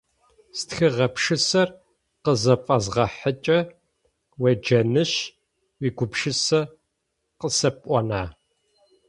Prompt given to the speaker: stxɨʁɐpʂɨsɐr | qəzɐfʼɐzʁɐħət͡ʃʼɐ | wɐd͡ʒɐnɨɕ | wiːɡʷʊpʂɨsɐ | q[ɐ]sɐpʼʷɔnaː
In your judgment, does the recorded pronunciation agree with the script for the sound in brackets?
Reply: no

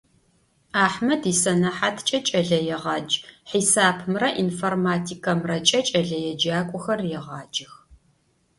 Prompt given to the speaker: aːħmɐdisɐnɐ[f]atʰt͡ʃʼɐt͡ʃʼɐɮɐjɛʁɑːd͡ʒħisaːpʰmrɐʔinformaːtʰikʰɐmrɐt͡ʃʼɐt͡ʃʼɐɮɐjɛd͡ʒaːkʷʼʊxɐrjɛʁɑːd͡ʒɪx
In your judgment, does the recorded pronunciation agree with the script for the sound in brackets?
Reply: no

